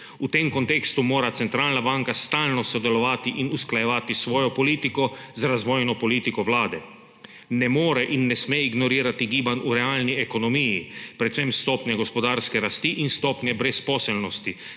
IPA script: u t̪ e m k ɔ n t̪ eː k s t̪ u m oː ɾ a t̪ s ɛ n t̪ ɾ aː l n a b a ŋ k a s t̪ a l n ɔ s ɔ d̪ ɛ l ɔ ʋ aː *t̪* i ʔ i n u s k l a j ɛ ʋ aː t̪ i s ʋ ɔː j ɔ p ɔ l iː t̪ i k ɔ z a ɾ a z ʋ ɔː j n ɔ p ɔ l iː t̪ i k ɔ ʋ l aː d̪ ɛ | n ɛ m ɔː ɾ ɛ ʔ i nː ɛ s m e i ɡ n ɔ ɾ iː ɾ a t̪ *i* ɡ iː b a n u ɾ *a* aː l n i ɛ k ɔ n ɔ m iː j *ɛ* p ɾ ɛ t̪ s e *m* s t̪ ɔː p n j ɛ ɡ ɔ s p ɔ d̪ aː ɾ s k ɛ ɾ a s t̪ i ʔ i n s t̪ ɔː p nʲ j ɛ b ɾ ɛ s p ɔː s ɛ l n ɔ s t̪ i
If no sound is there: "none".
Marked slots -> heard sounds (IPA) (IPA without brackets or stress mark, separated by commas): t̪, i, ɛ, i, m